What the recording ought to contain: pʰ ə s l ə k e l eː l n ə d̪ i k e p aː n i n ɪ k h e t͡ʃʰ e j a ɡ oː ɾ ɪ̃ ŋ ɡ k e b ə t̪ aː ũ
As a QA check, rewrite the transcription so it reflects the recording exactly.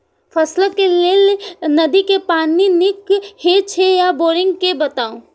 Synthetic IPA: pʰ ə s l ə k e l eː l n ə d̪ i k e p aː n i n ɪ k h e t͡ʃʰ e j a b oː ɾ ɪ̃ ŋ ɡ k e b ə t̪ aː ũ

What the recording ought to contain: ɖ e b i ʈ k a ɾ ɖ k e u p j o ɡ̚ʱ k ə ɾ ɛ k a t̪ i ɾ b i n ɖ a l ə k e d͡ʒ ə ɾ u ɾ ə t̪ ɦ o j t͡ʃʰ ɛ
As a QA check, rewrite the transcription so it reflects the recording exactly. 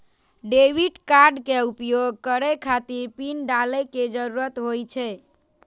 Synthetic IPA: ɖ e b i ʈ k a ɾ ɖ k e u p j o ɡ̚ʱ k ə ɾ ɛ kʰ a t̪ i ɾ p i n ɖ a l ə k e d͡ʒ ə ɾ u ɾ ə t̪ ɦ o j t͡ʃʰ ɛ

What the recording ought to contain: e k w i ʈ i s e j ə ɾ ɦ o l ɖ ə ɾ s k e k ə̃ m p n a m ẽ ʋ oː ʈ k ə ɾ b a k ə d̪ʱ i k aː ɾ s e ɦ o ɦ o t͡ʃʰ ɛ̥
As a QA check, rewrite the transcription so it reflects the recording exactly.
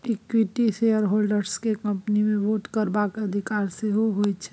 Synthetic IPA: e k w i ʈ i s e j ə ɾ ɦ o l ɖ ə ɾ s k e k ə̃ m p n i m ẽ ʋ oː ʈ k ə ɾ b a k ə d̪ʱ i k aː ɾ s e ɦ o ɦ o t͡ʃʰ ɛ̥

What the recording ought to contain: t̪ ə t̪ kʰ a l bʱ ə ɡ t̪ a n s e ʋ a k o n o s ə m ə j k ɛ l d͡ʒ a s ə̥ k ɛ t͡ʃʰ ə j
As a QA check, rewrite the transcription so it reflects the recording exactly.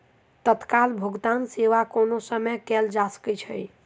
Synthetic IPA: t̪ ə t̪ k a l bʱ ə ɡ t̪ a n s e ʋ a k o n o s ə m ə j k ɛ l d͡ʒ a s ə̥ k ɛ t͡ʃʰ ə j

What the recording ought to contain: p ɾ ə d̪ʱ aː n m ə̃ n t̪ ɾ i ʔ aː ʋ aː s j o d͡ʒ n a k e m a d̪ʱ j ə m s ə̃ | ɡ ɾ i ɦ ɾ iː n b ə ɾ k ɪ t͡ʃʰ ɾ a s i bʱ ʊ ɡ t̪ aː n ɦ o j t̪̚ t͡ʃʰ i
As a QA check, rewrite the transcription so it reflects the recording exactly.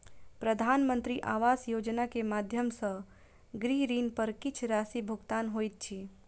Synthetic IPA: p ɾ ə d̪ʱ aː n m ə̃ n t̪ ɾ i ʔ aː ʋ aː s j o d͡ʒ n a k e m a d̪ʱ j ə m s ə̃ | ɡ ɾ i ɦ ɾ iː n p ə ɾ k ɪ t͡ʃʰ ɾ a s i bʱ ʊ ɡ t̪ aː n ɦ o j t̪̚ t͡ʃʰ i

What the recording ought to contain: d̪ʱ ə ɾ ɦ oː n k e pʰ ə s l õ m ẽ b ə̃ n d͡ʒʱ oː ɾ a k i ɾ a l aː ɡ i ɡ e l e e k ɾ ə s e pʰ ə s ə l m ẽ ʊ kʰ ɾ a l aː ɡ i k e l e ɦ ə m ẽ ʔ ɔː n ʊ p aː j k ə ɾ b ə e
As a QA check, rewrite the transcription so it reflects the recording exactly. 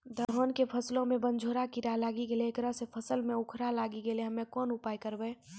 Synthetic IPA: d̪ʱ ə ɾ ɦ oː n k e pʰ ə s l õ m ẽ b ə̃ n d͡ʒʱ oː ɾ a k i ɾ a l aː ɡ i ɡ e l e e k ɾ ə s e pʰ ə s ə l m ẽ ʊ kʰ ɾ a l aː ɡ i ɡ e l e ɦ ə m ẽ k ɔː n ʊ p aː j k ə ɾ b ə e

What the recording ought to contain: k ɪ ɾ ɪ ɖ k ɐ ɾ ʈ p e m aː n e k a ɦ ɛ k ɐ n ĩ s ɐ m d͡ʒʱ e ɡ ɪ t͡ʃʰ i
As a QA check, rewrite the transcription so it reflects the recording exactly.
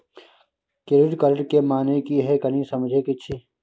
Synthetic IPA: k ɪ ɾ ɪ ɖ k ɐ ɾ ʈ k e m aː n e k i ɦ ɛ k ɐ n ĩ s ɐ m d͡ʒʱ e k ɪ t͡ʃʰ i

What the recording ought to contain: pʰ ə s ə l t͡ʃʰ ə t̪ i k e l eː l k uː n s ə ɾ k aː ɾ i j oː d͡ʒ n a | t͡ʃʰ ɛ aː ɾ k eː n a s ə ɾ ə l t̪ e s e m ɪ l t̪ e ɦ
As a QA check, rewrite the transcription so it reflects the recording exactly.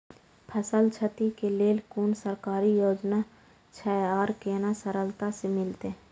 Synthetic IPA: pʰ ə s ə l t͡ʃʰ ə t̪ i k e l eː l k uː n s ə ɾ k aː ɾ i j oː d͡ʒ n a | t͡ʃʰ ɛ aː ɾ k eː n a s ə ɾ ə l t̪ a s e m ɪ l t̪ e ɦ

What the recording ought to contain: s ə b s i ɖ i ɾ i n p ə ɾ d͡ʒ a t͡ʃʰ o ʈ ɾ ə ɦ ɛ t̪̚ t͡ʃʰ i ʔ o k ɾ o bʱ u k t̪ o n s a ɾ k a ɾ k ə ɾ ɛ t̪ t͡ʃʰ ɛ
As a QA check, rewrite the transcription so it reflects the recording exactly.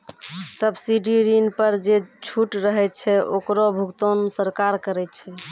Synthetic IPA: s ə b s i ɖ i ɾ i n p ə ɾ d͡ʒ e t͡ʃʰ u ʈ ɾ ə ɦ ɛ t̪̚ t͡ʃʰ ɛ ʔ o k ɾ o bʱ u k t̪ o n s ə ɾ k a ɾ k ə ɾ ɛ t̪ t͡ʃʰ ɛ

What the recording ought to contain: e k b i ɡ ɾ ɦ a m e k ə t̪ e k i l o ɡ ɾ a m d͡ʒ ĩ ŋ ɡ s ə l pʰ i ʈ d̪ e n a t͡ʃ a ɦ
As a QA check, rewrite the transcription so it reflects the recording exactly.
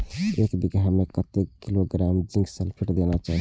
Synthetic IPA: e k b i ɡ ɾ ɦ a m e k ə t̪ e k i l o ɡ ɾ a m d͡ʒ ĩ ŋ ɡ s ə l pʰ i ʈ d̪ e n a t͡ʃ a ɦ

